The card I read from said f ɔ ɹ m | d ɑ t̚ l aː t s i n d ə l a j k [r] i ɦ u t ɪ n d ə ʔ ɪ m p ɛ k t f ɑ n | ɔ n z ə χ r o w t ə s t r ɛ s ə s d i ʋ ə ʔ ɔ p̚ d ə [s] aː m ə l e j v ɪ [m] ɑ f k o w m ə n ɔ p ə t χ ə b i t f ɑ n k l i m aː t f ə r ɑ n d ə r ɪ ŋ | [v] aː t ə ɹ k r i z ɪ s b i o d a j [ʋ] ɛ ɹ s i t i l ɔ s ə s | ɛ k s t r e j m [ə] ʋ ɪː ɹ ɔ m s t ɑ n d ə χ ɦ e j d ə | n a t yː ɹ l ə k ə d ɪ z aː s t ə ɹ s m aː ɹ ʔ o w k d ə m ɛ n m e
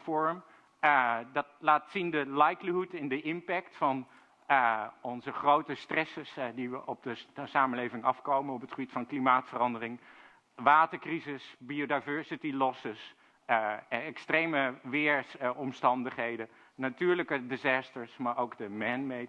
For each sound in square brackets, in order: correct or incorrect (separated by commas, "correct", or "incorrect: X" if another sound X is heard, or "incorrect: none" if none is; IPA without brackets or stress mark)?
incorrect: l, correct, incorrect: ŋ, incorrect: ʋ, incorrect: v, correct